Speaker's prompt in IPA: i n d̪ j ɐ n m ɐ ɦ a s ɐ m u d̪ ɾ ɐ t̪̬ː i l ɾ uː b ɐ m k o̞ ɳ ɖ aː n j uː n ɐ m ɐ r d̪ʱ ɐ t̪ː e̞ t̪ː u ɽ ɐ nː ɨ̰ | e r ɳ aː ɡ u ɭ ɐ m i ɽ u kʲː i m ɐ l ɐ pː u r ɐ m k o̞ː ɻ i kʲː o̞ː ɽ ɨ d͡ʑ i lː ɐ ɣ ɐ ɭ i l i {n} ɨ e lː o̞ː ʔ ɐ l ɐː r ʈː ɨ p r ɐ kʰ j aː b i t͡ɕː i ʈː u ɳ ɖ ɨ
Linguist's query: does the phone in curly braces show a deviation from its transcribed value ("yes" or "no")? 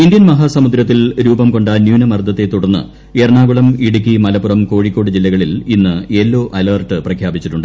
yes